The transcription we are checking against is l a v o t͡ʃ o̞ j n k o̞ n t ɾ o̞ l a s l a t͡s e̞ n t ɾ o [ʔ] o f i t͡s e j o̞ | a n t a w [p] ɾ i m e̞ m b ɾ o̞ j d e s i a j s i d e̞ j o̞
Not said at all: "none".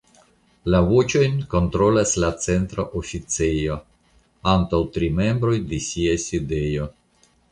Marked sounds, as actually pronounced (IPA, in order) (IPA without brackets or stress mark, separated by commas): ʔ, t